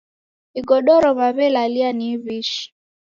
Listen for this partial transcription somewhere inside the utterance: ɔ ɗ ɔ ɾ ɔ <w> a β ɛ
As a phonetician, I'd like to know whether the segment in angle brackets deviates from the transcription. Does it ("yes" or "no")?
yes